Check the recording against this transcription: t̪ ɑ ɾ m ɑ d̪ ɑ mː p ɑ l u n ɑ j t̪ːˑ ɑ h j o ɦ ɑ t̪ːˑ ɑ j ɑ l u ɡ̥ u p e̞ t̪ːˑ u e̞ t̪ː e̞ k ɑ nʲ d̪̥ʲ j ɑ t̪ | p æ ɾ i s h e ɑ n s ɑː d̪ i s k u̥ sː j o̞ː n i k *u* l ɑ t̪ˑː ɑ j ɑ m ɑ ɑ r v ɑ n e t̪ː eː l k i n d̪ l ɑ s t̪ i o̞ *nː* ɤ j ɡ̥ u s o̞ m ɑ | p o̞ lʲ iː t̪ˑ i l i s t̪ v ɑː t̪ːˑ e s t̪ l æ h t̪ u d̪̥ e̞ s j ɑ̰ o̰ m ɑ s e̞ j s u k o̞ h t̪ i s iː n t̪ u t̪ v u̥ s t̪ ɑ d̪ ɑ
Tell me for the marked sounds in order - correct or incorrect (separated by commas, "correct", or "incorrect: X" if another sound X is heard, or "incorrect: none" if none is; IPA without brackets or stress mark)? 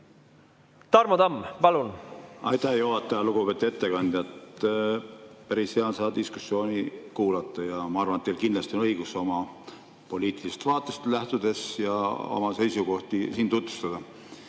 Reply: incorrect: uː, incorrect: n